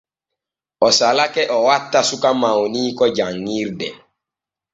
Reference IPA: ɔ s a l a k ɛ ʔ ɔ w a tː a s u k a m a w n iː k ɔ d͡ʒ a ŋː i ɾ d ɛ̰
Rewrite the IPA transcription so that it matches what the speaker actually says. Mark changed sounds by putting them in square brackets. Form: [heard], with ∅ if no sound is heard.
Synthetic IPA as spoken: ɔ s a l a k ɛ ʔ ɔ w a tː a s u k a m a w n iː k ɔ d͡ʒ a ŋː i ɾ d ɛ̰

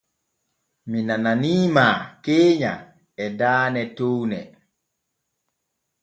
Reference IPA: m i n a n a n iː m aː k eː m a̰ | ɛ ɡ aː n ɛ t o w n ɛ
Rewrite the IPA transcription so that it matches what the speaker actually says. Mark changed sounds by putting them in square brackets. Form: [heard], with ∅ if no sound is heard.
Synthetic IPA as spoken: m i n a n a n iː m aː k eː [ɲ] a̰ | ɛ [d] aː n ɛ t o w n ɛ

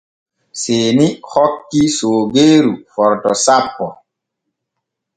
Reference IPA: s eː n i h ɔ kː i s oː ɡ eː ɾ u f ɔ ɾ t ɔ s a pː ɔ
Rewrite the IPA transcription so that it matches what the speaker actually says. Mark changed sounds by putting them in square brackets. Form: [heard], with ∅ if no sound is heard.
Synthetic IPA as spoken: s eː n i h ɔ kː i s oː ɡ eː ɾ u f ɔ ɾ t ɔ s a pː ɔ

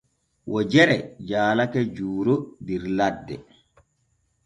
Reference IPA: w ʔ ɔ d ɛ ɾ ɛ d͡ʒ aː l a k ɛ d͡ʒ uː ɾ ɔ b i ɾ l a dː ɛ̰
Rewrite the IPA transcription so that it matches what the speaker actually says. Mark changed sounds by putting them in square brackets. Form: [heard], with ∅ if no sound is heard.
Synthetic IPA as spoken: w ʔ ɔ [d͡ʒ] ɛ ɾ ɛ d͡ʒ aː l a k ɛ d͡ʒ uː ɾ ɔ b i ɾ l a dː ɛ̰

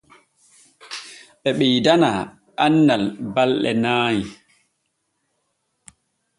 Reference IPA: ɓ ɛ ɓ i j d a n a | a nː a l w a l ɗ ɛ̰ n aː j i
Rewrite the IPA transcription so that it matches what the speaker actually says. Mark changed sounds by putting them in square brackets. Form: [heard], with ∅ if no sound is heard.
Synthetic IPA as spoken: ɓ ɛ ɓ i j d a n a | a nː a l [b] a l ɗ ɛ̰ n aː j i

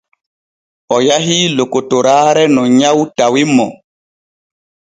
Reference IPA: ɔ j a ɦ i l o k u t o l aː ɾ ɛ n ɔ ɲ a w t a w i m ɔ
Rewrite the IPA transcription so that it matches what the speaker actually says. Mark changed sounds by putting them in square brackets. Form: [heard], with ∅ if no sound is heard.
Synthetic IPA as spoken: ɔ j a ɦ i l o k [o] t o [ɾ] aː ɾ ɛ n ɔ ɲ a w t a w i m ɔ

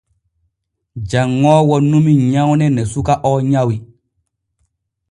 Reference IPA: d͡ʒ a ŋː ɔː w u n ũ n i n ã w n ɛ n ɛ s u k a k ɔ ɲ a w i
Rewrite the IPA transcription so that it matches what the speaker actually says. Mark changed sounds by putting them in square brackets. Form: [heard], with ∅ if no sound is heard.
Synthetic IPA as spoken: d͡ʒ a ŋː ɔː w [ɔ] n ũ [m] i [ɲ] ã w n ɛ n ɛ s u k a [ʔ] ɔ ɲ a w i

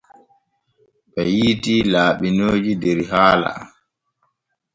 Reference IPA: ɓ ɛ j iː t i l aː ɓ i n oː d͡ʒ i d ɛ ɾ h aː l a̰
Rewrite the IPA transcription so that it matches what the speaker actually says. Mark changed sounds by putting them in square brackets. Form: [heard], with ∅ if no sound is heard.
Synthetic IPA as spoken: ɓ ɛ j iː t i l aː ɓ i n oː d͡ʒ i d ɛ ɾ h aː l a̰

